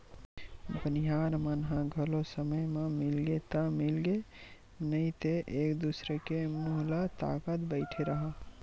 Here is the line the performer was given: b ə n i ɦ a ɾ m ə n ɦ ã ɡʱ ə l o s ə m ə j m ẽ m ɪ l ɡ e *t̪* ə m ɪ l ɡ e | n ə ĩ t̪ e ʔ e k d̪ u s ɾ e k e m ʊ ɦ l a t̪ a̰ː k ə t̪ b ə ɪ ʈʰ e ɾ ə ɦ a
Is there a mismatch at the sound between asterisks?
no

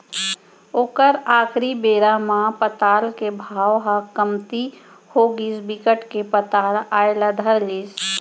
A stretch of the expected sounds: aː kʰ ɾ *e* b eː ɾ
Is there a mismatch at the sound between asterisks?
yes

